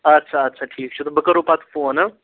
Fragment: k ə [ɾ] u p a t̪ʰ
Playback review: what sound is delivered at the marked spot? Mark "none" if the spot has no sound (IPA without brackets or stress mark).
ɾ